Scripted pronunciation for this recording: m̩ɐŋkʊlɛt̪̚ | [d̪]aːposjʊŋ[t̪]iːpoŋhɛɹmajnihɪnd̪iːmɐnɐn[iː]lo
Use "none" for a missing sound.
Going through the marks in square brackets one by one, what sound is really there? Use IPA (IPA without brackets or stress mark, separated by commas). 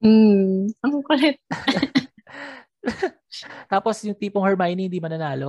t̪, t̪, aː